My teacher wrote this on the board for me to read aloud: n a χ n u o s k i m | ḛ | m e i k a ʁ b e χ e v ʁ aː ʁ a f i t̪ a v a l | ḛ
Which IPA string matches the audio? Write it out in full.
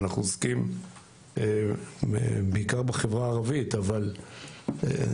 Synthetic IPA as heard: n a χ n u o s k i m | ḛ | b e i k a ʁ b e χ e v ʁ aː ʁ a v i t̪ a v a l | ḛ